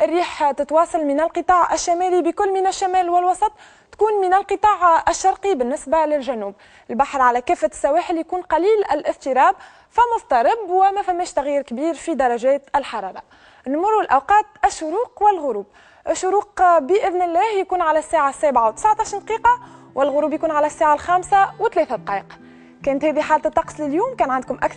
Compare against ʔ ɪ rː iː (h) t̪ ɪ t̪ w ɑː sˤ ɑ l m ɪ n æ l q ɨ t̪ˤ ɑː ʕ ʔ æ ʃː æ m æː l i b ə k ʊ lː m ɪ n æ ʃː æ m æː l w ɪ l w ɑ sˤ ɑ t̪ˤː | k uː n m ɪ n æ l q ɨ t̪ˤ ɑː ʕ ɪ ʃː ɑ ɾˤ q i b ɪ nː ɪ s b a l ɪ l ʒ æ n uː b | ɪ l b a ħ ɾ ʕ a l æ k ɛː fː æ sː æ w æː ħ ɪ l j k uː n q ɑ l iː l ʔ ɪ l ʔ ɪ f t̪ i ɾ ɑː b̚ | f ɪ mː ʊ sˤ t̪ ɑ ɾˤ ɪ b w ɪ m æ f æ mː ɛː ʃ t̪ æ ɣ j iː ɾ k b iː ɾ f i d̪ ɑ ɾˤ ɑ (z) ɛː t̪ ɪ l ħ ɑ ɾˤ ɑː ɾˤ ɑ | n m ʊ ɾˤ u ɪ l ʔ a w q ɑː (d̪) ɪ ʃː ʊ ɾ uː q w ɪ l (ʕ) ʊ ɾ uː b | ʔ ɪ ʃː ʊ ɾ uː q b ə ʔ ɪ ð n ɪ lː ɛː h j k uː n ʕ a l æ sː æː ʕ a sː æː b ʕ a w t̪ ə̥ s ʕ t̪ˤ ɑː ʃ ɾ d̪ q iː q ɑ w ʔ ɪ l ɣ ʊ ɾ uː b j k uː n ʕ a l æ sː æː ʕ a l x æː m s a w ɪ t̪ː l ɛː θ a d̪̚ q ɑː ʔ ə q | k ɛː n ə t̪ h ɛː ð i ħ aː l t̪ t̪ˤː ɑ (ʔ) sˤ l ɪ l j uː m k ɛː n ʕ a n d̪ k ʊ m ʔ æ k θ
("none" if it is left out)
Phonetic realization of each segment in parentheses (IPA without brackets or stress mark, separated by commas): ħ, ʒ, t̪, ɣ, q